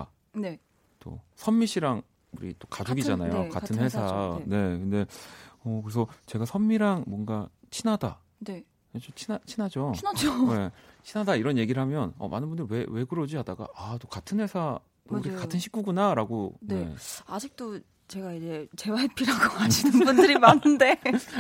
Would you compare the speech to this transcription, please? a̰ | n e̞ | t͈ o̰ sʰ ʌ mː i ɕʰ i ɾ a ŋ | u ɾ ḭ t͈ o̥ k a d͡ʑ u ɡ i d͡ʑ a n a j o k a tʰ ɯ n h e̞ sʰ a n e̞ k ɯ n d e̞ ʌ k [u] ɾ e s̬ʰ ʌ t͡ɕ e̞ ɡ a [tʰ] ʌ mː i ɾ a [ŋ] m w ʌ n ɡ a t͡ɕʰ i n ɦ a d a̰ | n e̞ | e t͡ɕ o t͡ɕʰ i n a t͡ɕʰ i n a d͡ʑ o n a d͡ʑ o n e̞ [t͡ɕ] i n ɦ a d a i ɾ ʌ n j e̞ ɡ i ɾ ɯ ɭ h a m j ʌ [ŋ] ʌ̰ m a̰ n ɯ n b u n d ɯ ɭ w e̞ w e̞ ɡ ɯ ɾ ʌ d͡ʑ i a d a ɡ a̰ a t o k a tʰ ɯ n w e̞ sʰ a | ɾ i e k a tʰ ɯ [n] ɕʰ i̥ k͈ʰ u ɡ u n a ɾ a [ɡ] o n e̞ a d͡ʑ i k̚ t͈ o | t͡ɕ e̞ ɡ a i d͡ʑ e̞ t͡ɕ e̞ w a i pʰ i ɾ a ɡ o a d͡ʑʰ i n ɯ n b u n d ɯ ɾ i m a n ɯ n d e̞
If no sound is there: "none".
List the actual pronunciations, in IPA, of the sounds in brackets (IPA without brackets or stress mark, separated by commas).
ɯ, sʰ, ŋ, t͡ɕʰ, n, n, ɡ